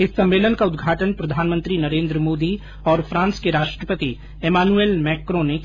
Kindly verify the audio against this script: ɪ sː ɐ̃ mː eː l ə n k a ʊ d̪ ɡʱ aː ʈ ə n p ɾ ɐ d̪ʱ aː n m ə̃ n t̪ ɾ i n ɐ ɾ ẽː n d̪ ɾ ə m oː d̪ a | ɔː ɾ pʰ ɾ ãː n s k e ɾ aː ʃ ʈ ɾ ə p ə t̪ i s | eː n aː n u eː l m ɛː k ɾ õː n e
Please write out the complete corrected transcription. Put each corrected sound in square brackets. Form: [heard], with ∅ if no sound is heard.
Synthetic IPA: ɪ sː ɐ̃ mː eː l ə n k a ʊ d̪ ɡʱ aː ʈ ə n p ɾ ɐ d̪ʱ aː n m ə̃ n t̪ ɾ i n ɐ ɾ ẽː n d̪ ɾ ə m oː d̪ [i] | ɔː ɾ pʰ ɾ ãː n s k e ɾ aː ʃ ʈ ɾ ə p ə t̪ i [∅] | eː [m] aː n u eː l m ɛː k ɾ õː n e